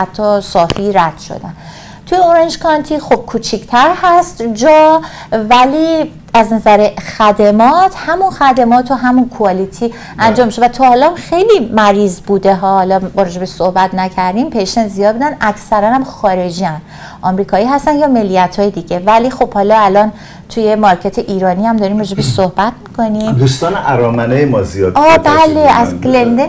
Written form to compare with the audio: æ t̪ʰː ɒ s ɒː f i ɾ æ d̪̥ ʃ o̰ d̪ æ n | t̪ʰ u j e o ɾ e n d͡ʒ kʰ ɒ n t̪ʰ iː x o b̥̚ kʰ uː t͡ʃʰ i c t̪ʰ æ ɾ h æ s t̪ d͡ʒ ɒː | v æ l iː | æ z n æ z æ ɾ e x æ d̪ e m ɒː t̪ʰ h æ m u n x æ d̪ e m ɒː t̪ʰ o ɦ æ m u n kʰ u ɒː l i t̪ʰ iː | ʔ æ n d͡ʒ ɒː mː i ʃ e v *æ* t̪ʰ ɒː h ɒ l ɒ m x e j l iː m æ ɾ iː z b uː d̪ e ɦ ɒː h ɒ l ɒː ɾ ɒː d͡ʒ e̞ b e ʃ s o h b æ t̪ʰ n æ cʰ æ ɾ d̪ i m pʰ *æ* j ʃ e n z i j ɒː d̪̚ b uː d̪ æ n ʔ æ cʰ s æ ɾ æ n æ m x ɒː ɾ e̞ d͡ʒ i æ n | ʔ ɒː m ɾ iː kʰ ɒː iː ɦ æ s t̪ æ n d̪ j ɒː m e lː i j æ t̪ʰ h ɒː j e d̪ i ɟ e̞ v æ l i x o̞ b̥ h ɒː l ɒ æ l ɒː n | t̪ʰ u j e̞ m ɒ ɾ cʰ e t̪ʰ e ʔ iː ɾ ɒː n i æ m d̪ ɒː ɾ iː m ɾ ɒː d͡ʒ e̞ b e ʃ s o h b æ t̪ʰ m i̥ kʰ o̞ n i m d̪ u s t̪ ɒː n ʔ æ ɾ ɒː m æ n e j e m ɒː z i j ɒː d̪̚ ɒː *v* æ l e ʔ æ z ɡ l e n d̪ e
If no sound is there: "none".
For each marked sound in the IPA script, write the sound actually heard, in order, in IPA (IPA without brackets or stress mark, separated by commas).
æ, e, b